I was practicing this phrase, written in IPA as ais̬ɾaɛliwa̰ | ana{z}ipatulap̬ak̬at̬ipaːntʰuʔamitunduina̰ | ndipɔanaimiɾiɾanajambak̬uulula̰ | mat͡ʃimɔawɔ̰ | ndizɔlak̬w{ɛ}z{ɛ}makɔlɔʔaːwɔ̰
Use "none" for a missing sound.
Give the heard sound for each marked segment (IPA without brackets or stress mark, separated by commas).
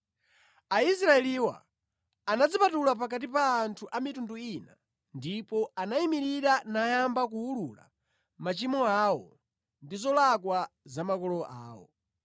d͡z, a, a